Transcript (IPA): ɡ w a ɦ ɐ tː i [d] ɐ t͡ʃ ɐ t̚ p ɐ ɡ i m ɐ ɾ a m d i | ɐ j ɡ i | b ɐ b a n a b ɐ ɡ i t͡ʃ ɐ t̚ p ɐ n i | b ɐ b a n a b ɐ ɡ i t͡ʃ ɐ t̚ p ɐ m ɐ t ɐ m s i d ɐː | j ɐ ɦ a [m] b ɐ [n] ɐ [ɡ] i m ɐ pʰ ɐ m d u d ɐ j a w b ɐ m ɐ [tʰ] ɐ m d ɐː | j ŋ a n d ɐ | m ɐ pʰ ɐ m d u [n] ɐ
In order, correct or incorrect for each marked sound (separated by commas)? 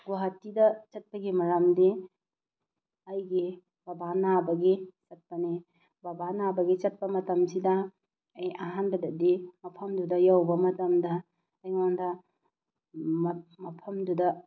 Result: correct, incorrect, incorrect, incorrect, incorrect, incorrect